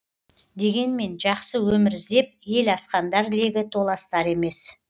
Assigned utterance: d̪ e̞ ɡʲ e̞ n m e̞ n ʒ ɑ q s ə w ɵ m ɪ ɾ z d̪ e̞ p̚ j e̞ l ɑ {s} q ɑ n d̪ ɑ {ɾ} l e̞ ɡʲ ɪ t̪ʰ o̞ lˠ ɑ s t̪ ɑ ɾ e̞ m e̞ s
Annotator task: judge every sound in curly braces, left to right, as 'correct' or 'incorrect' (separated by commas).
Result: correct, correct